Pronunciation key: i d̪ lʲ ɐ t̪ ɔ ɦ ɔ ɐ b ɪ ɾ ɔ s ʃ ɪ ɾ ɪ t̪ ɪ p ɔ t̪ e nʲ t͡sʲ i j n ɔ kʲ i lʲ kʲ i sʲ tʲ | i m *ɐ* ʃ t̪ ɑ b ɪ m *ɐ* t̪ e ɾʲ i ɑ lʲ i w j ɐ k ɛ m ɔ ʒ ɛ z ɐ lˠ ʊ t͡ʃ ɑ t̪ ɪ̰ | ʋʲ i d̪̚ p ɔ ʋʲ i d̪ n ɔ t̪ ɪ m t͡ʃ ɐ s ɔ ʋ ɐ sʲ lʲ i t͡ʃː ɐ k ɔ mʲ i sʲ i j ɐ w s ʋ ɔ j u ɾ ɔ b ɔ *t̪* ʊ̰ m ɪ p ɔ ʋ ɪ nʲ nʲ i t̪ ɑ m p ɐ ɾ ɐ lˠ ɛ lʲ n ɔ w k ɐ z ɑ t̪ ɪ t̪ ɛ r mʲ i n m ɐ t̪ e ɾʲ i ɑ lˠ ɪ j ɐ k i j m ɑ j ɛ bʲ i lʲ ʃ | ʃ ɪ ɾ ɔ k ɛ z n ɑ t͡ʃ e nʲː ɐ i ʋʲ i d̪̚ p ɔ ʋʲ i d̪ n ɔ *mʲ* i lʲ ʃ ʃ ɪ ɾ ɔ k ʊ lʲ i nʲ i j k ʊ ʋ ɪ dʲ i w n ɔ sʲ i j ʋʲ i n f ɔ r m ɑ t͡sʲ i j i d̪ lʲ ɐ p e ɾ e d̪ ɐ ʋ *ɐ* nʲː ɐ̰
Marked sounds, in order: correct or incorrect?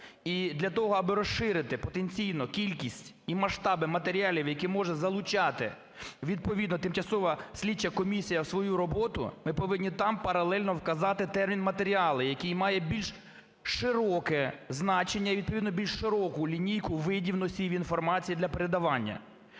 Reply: correct, correct, correct, incorrect: bʲ, incorrect: ɑ

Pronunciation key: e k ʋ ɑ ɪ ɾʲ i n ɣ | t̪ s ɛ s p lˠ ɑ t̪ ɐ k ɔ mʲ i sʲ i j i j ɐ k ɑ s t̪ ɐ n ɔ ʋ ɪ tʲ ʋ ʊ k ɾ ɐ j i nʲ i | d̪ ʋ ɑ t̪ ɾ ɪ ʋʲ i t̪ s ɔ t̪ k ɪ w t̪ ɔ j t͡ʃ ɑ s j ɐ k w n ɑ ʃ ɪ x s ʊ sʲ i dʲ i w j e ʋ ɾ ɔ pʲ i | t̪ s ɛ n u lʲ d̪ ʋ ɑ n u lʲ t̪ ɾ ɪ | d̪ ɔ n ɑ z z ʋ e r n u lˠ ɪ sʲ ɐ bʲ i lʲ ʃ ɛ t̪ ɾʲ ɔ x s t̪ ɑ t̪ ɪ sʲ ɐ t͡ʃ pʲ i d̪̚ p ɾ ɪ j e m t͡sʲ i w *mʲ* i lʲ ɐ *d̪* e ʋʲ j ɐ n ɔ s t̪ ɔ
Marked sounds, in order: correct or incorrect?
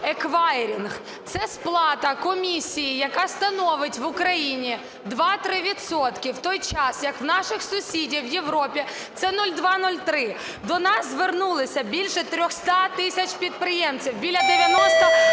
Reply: incorrect: bʲ, correct

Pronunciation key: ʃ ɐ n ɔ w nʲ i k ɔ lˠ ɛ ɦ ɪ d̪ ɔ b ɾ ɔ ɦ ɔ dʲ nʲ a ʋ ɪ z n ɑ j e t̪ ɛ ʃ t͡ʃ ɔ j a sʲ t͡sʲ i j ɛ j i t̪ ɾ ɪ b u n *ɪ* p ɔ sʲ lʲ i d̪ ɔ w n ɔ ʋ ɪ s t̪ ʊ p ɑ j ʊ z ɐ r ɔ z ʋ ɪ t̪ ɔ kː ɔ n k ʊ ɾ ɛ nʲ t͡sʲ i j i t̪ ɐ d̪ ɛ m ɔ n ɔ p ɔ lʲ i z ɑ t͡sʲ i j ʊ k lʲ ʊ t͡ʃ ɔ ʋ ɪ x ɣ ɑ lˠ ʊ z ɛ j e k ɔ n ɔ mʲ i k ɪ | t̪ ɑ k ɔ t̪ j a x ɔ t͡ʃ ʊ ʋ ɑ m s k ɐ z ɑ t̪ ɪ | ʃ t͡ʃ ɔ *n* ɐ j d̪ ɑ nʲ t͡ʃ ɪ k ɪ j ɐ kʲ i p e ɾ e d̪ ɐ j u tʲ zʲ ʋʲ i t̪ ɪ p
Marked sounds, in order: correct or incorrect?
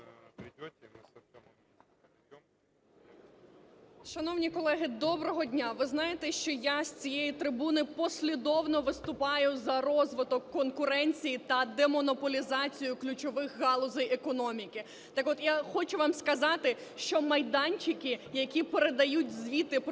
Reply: correct, incorrect: m

